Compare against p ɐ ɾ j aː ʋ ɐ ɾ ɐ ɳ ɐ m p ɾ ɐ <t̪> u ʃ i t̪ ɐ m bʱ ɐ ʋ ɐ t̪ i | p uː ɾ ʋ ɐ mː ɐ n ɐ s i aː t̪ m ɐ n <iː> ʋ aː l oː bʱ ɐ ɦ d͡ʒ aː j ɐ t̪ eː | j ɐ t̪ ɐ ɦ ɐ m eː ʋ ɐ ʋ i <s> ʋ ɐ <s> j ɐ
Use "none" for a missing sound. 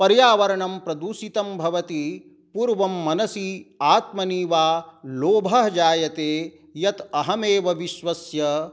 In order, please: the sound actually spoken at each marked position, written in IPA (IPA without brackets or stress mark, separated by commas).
d̪, iː, ʃ, s